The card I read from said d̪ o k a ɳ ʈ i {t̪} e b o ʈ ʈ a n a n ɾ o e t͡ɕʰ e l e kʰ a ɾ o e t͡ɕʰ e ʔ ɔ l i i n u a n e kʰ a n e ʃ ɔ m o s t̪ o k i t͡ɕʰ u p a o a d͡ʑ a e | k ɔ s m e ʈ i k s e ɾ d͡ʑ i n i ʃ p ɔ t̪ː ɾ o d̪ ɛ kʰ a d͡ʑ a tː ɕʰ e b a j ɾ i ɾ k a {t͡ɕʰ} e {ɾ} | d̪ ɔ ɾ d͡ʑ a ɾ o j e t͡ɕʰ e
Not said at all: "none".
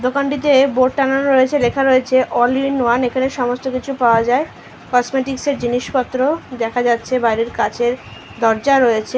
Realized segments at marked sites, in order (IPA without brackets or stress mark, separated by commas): t̪, t͡ɕʰ, ɾ